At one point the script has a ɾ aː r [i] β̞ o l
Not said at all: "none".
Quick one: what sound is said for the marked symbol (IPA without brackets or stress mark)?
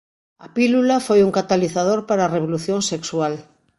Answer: e